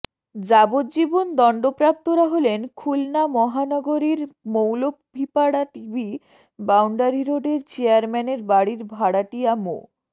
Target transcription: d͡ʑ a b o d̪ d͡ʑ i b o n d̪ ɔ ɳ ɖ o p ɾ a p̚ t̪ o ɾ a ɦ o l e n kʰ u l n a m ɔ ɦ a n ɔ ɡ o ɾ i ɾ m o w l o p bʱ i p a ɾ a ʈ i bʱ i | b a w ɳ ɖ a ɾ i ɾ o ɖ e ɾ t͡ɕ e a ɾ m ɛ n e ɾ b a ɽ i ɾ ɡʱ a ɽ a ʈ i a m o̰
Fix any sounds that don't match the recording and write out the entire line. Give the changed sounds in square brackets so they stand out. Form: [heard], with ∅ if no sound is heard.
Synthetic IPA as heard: d͡ʑ a b o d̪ d͡ʑ i b o n d̪ ɔ ɳ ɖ o p ɾ a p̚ t̪ o ɾ a ɦ o l e n kʰ u l n a m ɔ ɦ a n ɔ ɡ o ɾ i ɾ m o w l o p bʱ i p a [ɽ] a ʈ i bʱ i | b a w ɳ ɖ a ɾ i ɾ o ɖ e ɾ t͡ɕ e a ɾ m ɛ n e ɾ b a ɽ i ɾ [bʱ] a ɽ a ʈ i a m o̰